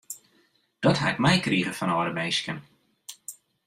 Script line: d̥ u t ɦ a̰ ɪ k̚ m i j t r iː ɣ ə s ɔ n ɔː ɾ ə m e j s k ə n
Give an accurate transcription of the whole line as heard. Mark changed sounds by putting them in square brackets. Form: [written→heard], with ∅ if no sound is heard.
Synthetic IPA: d̥ [u→ɔ] t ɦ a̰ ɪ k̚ m [i→ɛ] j [t→k] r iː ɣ ə [s→f] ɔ n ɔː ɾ ə m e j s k ə n